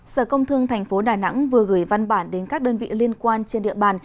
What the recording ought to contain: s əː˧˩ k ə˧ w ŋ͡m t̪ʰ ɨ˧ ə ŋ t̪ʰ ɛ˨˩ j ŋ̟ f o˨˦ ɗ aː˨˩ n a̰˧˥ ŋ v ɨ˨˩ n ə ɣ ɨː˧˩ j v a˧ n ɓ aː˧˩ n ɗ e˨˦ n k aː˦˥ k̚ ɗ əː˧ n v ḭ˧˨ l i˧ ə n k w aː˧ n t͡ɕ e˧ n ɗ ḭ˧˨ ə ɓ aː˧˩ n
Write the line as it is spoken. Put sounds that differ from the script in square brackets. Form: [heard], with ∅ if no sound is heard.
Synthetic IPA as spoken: s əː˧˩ k ə˧ w ŋ͡m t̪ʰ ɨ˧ ə ŋ t̪ʰ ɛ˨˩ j ŋ̟ f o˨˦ ɗ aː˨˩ n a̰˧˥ ŋ v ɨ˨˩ [∅] ə ɣ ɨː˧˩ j v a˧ n ɓ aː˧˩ n ɗ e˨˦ n k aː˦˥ k̚ ɗ əː˧ n v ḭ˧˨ l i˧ ə n k w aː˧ n t͡ɕ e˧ n ɗ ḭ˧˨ ə ɓ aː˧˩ n